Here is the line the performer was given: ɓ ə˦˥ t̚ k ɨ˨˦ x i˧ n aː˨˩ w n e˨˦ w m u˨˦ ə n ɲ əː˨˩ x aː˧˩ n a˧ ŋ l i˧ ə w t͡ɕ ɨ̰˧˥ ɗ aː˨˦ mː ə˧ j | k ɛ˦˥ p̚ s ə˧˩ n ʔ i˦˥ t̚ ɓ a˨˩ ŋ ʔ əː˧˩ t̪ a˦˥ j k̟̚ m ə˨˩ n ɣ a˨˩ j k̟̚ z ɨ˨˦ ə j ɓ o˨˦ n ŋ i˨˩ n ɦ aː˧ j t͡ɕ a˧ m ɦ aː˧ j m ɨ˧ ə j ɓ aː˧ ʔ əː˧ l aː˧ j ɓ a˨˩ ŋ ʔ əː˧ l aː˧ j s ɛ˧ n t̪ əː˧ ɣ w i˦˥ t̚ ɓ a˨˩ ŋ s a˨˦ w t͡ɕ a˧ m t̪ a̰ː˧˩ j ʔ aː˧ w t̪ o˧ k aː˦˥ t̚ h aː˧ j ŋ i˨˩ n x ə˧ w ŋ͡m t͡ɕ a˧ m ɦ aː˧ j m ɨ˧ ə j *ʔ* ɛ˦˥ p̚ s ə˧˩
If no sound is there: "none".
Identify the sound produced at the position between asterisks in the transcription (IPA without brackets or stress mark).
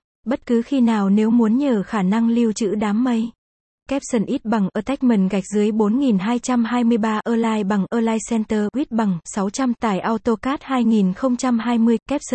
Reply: k